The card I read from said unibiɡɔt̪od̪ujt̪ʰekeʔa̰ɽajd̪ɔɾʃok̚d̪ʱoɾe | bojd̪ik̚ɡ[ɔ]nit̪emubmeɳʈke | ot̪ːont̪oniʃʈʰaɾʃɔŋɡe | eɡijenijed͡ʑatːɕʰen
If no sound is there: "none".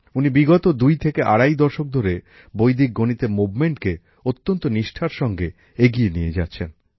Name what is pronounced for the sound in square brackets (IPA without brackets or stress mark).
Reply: o